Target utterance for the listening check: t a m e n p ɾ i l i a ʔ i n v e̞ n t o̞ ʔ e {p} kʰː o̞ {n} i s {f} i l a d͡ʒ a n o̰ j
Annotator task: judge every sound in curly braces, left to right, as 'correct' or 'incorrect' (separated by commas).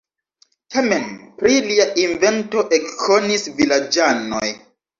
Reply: incorrect, correct, incorrect